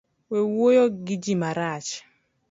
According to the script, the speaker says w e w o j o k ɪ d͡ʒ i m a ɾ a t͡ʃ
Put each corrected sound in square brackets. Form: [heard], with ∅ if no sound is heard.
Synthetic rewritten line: w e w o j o [ɡ] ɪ d͡ʒ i m a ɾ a t͡ʃ